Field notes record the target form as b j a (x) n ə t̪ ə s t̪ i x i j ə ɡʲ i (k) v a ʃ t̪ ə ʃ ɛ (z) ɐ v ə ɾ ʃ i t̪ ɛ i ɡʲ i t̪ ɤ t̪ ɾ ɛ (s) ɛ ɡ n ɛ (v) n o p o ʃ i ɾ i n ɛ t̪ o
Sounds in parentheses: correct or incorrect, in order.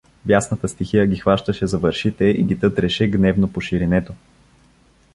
incorrect: s, incorrect: x, correct, incorrect: ʃ, correct

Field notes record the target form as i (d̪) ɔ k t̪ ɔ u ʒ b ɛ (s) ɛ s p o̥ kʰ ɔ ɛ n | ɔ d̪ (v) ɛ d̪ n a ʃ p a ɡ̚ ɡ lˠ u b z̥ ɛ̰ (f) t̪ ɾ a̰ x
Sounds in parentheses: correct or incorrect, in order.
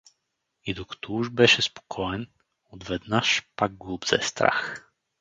correct, incorrect: ʃ, correct, incorrect: s

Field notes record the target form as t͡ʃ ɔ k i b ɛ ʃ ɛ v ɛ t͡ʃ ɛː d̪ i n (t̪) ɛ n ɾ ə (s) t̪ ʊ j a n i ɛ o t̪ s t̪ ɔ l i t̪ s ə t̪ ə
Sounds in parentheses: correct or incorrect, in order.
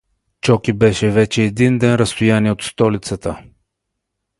incorrect: d̪, correct

